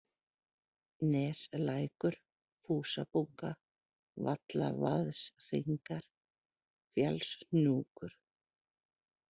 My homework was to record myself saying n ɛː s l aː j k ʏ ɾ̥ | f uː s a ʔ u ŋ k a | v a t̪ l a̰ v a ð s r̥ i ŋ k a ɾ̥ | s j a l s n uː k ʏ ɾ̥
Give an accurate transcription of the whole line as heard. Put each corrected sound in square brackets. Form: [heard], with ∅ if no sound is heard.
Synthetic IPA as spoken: n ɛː s l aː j k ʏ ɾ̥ | f uː s a [p] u ŋ k a | v a t̪ l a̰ v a ð s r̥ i ŋ k a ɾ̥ | [f] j a l s n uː k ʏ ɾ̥